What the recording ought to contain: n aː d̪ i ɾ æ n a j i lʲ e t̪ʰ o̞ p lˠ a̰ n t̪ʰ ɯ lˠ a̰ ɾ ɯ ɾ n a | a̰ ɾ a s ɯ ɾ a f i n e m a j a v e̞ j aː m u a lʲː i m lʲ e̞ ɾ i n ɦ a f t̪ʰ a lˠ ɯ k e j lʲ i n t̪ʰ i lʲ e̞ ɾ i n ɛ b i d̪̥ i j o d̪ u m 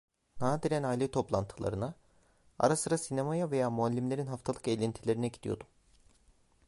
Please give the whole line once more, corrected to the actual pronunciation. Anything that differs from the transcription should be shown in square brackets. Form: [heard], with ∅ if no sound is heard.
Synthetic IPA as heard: n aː d̪ i ɾ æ n a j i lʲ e t̪ʰ o̞ p lˠ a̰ n t̪ʰ ɯ lˠ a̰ ɾ ɯ [∅] n a | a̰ ɾ a s ɯ ɾ a [s] i n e m a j a v e̞ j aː m u a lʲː i m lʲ e̞ ɾ i n ɦ a f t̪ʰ a lˠ ɯ k e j lʲ i n t̪ʰ i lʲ e̞ ɾ i n ɛ [ɟ] i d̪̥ i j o d̪ u m